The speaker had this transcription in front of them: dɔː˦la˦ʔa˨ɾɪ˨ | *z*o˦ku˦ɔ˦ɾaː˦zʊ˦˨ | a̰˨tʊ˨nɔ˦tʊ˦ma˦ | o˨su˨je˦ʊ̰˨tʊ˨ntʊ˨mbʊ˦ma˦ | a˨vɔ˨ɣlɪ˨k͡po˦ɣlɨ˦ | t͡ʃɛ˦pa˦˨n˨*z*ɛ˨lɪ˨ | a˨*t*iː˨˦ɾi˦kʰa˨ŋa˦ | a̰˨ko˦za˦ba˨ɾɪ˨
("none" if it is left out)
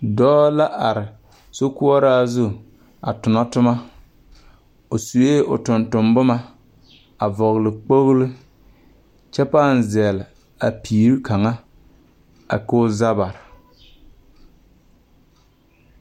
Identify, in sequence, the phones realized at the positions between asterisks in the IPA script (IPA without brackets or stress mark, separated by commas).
s, z, p